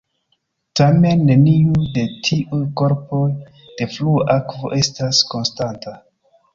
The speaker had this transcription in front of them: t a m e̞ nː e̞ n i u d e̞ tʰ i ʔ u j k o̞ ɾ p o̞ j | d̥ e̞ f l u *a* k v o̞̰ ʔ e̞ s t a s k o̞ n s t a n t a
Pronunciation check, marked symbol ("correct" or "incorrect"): correct